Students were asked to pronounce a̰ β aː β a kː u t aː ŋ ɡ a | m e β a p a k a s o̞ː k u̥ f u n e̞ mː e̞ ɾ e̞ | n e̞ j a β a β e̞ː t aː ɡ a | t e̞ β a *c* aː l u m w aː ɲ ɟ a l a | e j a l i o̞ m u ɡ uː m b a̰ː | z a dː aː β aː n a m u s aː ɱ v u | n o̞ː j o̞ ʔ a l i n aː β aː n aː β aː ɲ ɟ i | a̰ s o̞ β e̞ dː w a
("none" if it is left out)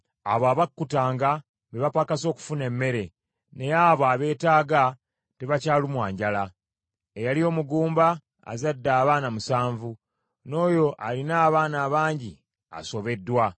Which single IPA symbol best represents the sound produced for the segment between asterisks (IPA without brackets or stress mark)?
c